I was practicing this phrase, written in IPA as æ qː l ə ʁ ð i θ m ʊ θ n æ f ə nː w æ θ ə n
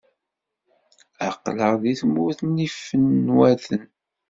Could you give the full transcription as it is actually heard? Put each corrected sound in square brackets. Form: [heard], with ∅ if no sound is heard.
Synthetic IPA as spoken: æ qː l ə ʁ ð i θ m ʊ θ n [i] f ə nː w æ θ ə n